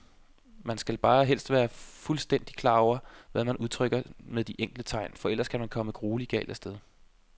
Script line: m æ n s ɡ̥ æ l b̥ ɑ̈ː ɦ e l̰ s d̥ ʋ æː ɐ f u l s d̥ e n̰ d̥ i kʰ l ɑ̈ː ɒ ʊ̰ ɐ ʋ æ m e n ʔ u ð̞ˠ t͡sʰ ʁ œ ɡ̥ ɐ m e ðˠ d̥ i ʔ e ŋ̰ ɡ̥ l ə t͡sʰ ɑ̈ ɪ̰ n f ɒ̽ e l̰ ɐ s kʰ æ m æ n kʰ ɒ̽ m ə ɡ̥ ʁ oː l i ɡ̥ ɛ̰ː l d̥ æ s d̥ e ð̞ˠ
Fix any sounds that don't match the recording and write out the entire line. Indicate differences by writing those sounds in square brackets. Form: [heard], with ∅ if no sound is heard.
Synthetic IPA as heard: m æ n s ɡ̥ æ l b̥ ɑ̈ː ɦ e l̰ s d̥ ʋ æː ɐ f u l s d̥ e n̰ d̥ i kʰ l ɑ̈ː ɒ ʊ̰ ɐ ʋ æ m [æ] n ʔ u ð̞ˠ t͡sʰ ʁ œ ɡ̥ ɐ m e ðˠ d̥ i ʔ e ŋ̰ ɡ̥ l ə t͡sʰ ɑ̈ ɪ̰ n f ɒ̽ e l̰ ɐ s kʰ æ m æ n kʰ ɒ̽ m ə ɡ̥ ʁ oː l i ɡ̥ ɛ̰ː l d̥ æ s d̥ e ð̞ˠ